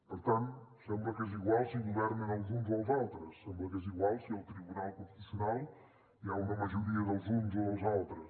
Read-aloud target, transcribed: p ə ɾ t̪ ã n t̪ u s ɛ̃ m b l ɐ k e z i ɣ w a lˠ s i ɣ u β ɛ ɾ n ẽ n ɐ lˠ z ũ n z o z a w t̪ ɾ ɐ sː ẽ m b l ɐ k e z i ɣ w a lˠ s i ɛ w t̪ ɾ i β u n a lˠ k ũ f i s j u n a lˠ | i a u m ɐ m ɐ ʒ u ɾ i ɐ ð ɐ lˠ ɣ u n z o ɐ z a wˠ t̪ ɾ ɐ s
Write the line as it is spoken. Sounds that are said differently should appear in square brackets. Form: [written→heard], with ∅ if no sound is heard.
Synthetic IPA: p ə ɾ t̪ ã n t̪ u s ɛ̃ m b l ɐ k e z i ɣ w a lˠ s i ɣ u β ɛ ɾ n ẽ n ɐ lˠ z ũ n z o z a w t̪ ɾ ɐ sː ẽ m b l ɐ k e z i ɣ w a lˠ s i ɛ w t̪ ɾ i β u n a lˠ k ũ f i s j u n a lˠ | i a u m ɐ m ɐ ʒ u ɾ i ɐ ð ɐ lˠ [ɣ→z] u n z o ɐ z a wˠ t̪ ɾ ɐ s